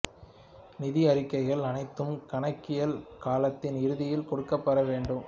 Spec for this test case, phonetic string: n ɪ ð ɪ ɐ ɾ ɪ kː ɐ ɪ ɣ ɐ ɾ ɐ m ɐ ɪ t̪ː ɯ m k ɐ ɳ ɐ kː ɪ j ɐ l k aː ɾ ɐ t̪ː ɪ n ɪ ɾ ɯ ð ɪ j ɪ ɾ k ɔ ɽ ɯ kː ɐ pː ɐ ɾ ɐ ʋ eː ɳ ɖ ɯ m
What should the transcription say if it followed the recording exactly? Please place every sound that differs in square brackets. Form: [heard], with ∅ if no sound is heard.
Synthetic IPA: n ɪ ð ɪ ɐ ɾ ɪ kː ɐ ɪ ɣ ɐ [ɭ] ɐ [n] ɐ ɪ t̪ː ɯ m k ɐ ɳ ɐ kː ɪ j ɐ l k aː [l] ɐ t̪ː ɪ n ɪ ɾ ɯ ð ɪ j ɪ [l] k ɔ ɽ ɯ kː ɐ pː ɐ ɾ ɐ ʋ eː ɳ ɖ ɯ m